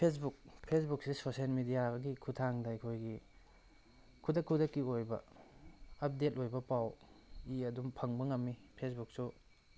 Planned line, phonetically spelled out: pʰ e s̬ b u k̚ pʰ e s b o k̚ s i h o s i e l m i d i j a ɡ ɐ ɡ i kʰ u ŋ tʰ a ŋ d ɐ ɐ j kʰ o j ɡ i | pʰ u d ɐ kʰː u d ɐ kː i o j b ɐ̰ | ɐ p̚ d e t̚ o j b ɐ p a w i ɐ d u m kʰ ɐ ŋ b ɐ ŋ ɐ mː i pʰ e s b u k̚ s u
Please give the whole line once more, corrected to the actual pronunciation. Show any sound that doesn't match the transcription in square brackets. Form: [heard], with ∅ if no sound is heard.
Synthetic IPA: pʰ e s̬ b u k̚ pʰ e s b [u] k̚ s i [s] o s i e l m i d i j a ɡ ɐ ɡ i kʰ u [∅] tʰ a ŋ d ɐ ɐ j kʰ o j ɡ i | [kʰ] u d ɐ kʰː u d ɐ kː i o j b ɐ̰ | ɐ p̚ d e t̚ o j b ɐ p a w i ɐ d u m [pʰ] ɐ ŋ b ɐ ŋ ɐ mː i pʰ e s b u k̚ s u